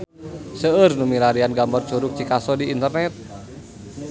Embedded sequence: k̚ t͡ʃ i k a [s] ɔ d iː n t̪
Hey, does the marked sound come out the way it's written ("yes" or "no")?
yes